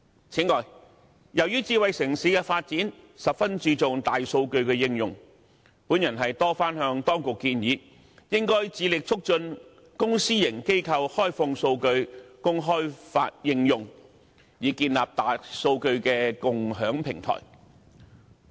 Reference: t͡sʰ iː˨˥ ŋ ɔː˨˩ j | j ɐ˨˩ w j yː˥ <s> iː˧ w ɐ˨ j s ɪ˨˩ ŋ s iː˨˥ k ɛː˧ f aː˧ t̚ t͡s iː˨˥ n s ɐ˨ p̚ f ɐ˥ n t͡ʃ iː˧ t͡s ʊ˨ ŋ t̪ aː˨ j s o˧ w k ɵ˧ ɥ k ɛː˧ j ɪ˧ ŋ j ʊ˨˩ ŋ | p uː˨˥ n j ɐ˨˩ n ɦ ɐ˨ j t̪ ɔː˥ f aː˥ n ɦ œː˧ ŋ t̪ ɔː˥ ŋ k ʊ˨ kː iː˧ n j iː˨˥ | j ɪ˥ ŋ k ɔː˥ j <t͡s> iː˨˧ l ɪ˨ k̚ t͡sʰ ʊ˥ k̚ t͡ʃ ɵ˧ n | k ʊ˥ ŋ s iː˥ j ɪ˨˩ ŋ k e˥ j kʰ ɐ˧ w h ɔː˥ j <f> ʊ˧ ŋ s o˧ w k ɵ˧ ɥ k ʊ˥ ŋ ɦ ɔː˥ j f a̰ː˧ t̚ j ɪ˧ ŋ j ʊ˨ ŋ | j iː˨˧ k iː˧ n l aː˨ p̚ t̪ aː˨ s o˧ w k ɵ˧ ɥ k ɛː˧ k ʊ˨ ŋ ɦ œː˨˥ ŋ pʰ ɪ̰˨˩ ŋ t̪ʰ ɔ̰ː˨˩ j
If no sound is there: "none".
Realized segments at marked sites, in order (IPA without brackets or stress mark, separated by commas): t͡s, t͡s, f